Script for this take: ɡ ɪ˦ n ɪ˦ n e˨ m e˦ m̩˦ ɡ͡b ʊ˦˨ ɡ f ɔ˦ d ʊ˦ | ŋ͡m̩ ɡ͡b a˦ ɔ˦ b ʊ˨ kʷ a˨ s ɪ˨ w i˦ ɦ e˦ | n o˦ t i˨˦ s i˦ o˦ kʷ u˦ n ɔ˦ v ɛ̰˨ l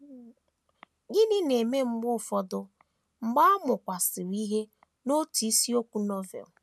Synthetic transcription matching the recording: ɡ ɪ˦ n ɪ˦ n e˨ m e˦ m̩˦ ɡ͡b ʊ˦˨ f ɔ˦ d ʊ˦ | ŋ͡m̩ ɡ͡b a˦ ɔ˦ m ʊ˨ kʷ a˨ s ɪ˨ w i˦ ɦ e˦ | n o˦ t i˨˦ s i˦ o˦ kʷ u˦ n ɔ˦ v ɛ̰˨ l